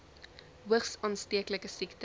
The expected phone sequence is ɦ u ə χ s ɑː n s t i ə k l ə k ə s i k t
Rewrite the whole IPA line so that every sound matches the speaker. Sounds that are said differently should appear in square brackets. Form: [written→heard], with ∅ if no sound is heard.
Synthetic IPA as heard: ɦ u ə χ s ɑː n s t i ə k l ə k ə s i k t

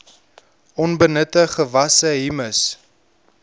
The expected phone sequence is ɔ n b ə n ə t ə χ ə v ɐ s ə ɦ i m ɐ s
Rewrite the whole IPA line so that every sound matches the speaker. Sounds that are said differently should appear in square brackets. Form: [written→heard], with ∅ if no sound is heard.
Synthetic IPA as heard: ɔ n b ə n ə t ə χ ə v ɐ s ə ɦ i m [ɐ→ə] s

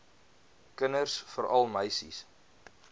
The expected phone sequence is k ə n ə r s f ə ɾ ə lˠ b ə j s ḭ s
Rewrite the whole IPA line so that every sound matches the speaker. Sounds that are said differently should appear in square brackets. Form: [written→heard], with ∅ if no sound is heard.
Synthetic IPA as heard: k ə n ə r s f ə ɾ [ə→ɐ] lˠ [b→m] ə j s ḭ s

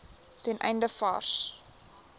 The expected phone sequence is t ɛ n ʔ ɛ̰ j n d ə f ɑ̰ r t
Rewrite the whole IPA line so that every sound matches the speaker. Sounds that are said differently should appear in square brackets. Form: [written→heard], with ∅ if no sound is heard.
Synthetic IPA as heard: t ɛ n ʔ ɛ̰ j n d ə f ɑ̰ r [t→s]

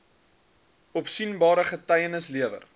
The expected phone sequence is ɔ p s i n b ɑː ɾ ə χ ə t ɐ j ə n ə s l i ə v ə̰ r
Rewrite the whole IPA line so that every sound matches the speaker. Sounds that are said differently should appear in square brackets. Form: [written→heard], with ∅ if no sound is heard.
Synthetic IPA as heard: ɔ p s i n b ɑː ɾ ə χ ə t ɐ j ə n ə s l i ə v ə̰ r

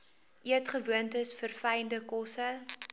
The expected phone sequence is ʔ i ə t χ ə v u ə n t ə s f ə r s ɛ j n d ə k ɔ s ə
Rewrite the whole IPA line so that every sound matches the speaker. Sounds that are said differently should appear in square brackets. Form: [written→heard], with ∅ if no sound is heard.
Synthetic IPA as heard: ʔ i ə t χ ə v u ə n t ə s f ə r [s→f] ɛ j n d ə k ɔ s ə

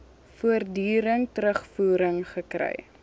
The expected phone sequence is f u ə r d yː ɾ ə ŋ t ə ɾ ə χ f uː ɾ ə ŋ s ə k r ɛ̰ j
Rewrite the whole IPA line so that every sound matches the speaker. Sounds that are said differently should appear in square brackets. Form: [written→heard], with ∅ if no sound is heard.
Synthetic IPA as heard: f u ə r d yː ɾ ə ŋ t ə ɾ ə χ f uː ɾ ə ŋ [s→χ] ə k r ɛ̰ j

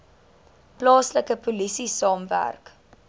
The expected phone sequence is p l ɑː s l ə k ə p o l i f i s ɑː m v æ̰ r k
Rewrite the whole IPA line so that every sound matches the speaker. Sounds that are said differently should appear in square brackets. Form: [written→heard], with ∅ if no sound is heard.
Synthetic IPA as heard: p l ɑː s l ə k ə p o l i [f→s] i s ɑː m v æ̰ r k

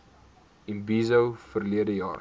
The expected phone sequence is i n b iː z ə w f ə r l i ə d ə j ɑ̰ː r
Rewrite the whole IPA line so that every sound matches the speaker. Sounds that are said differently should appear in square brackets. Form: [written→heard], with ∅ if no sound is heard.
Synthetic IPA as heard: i n b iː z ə w f ə r l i ə d ə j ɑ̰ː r

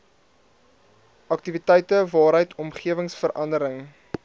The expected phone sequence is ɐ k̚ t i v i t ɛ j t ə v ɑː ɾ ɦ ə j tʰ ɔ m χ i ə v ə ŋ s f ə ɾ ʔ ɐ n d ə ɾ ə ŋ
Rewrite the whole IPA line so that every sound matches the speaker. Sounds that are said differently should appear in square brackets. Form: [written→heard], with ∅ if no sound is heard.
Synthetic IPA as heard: ɐ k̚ t i v i t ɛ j t ə v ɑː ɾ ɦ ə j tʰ ɔ m χ i ə v ə ŋ s f ə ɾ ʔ ɐ n d ə ɾ ə ŋ

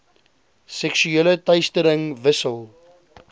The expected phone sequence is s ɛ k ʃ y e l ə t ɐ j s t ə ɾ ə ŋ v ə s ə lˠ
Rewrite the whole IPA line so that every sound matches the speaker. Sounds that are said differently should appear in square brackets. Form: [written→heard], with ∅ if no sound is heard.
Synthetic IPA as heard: s ɛ k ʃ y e l ə t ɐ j s t ə ɾ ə ŋ v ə s ə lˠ

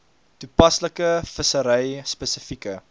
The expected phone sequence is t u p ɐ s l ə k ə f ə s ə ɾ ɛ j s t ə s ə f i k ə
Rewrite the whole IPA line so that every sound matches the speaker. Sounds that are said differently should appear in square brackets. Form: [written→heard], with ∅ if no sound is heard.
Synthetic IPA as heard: t u p ɐ s l ə k ə f ə s ə ɾ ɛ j s [t→p] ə s ə f i k ə

